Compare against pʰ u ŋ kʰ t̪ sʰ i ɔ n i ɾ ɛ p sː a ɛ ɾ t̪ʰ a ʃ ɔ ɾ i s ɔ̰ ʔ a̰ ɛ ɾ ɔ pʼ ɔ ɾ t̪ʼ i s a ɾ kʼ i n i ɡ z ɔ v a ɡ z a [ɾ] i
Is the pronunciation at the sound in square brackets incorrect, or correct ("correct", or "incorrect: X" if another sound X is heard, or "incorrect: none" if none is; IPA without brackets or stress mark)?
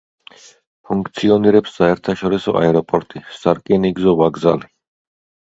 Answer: incorrect: l